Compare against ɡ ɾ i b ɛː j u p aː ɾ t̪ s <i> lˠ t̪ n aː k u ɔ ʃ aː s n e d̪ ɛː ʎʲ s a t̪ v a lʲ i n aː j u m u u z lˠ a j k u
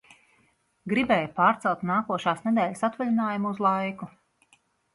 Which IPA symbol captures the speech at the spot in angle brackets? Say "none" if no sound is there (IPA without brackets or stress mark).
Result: ɛ